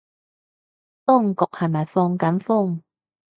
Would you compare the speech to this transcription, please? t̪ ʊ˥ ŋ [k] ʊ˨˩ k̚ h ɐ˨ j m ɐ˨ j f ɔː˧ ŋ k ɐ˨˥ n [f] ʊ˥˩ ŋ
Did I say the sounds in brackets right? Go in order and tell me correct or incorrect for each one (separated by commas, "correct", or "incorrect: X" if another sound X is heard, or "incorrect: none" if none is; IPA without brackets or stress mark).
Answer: correct, correct